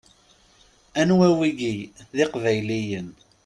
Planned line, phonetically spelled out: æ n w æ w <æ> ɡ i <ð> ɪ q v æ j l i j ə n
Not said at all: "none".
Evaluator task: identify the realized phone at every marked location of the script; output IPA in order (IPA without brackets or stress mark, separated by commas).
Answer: i, ð